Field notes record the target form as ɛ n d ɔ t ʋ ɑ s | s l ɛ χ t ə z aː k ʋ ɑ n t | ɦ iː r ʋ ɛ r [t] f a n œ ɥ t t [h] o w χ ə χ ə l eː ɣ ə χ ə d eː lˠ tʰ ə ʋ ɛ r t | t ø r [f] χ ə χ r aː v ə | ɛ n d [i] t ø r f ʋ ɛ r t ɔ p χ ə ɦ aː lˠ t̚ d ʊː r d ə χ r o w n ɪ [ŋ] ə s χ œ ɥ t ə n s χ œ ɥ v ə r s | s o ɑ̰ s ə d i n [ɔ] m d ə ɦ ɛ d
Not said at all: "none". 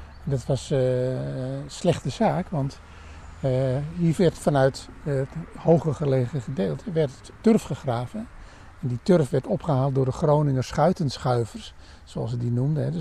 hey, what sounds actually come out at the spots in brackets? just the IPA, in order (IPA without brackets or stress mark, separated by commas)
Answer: t, h, f, i, ŋ, u